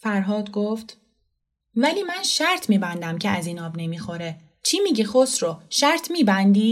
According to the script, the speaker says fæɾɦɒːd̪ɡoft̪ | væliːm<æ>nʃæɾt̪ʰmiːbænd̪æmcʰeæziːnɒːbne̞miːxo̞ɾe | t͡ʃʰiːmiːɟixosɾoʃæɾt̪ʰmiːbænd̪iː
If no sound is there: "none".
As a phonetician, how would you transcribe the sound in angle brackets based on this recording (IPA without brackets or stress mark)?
æ